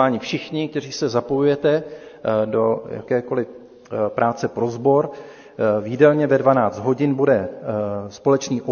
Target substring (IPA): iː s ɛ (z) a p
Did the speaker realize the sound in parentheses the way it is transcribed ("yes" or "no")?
yes